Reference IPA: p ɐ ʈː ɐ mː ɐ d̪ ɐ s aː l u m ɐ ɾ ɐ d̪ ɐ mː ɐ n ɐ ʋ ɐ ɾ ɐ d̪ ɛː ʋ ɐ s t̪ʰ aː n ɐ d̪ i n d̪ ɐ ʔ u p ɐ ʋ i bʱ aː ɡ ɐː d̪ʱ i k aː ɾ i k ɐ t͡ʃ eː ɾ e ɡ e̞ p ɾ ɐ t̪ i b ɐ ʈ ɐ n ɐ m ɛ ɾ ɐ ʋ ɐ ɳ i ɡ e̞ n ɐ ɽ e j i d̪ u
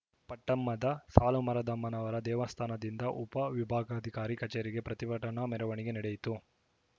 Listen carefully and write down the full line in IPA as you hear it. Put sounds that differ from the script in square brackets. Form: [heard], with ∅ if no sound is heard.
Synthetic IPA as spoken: p ɐ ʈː ɐ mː ɐ d̪ ɐ s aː l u m ɐ ɾ ɐ d̪ ɐ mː ɐ n ɐ ʋ ɐ ɾ ɐ d̪ ɛː ʋ ɐ s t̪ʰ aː n ɐ d̪ i n d̪ ɐ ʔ u p ɐ ʋ i bʱ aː ɡ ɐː d̪ʱ i k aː ɾ i k ɐ t͡ʃ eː ɾ [i] ɡ e̞ p ɾ ɐ t̪ i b ɐ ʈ ɐ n ɐ m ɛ ɾ ɐ ʋ ɐ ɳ i ɡ e̞ n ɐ ɽ e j i [t̪] u

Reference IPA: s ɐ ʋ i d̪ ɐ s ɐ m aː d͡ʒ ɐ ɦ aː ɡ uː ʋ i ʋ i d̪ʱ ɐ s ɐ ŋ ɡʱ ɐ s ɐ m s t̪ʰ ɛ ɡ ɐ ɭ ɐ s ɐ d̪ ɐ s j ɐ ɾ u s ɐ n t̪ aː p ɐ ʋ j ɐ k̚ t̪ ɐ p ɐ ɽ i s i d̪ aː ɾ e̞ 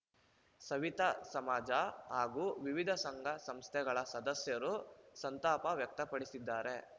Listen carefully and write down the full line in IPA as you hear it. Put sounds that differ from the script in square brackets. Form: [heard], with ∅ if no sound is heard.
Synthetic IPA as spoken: s ɐ ʋ i [t̪] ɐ s ɐ m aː d͡ʒ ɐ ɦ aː ɡ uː ʋ i ʋ i d̪ʱ ɐ s ɐ ŋ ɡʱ ɐ s ɐ m s t̪ʰ ɛ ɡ ɐ ɭ ɐ s ɐ d̪ ɐ s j ɐ ɾ u s ɐ n t̪ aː p ɐ ʋ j ɐ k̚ t̪ ɐ p ɐ ɽ i s i [d̪ː] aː ɾ e̞

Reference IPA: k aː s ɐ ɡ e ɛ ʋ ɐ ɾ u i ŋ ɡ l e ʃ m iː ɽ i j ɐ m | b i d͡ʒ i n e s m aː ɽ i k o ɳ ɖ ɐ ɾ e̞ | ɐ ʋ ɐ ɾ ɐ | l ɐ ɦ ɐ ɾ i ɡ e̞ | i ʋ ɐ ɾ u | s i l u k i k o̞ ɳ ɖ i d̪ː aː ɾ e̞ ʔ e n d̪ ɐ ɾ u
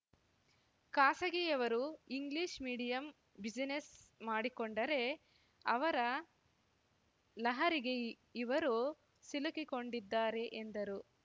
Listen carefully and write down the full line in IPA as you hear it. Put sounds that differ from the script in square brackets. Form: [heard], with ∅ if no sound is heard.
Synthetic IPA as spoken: k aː s ɐ ɡ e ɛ ʋ ɐ ɾ u i ŋ ɡ l [i] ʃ m iː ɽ i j ɐ m | b i d͡ʒ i n e s m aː ɽ i k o ɳ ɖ ɐ ɾ e̞ | ɐ ʋ ɐ ɾ ɐ | l ɐ ɦ ɐ ɾ i ɡ e̞ | i ʋ ɐ ɾ u | s i l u k i k o̞ ɳ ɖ i d̪ː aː ɾ e̞ ʔ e n d̪ ɐ ɾ u

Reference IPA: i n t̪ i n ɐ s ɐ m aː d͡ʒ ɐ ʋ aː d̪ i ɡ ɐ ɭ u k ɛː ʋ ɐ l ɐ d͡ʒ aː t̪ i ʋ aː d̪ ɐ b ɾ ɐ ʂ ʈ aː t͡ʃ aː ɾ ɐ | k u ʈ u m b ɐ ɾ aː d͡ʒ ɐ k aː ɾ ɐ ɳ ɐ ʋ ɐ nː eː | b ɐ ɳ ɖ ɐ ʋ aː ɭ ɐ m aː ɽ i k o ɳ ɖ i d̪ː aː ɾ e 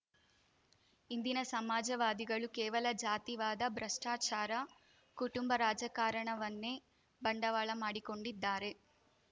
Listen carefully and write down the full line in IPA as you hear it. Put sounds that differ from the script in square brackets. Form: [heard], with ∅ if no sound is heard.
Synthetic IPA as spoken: i n [d̪] i n ɐ s ɐ m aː d͡ʒ ɐ ʋ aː d̪ i ɡ ɐ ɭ u k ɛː ʋ ɐ l ɐ d͡ʒ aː t̪ i ʋ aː d̪ ɐ b ɾ ɐ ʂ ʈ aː t͡ʃ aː ɾ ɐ | k u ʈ u m b ɐ ɾ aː d͡ʒ ɐ k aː ɾ ɐ ɳ ɐ ʋ ɐ nː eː | b ɐ ɳ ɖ ɐ ʋ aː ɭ ɐ m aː ɽ i k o ɳ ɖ i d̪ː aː ɾ e

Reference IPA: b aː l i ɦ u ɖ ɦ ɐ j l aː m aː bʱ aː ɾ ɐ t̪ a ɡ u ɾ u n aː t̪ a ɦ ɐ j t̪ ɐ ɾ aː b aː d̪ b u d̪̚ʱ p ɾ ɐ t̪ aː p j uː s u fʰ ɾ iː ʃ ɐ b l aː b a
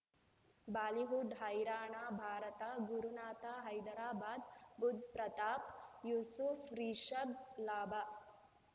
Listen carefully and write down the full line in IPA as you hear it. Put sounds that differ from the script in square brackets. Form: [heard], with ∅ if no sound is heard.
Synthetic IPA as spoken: b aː l i ɦ u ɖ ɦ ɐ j [ɾ] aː [ɳ] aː bʱ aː ɾ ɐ t̪ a ɡ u ɾ u n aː t̪ a ɦ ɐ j [d̪] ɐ ɾ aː b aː d̪ b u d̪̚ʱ p ɾ ɐ t̪ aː p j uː s u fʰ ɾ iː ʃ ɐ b l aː b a

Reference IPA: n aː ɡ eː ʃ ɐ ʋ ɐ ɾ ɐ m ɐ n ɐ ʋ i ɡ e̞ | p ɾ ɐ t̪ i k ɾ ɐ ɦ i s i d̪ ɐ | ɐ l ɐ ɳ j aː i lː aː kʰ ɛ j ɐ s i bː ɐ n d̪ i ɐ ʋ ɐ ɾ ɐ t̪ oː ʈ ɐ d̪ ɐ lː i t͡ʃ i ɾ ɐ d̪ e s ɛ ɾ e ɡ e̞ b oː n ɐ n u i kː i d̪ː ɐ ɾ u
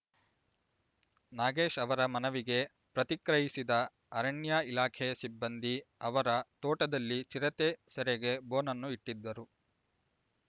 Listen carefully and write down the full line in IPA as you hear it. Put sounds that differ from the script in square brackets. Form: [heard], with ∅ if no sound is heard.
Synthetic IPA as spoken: n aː ɡ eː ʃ ɐ ʋ ɐ ɾ ɐ m ɐ n ɐ ʋ i ɡ e̞ | p ɾ ɐ t̪ i k ɾ ɐ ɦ i s i d̪ ɐ | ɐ [ɾ] ɐ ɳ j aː i [l] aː kʰ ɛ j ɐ s i bː ɐ n d̪ i ɐ ʋ ɐ ɾ ɐ t̪ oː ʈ ɐ d̪ ɐ lː i t͡ʃ i ɾ ɐ [t̪] e s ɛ ɾ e ɡ e̞ b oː n ɐ [nː] u i [ʈː] i d̪ː ɐ ɾ u

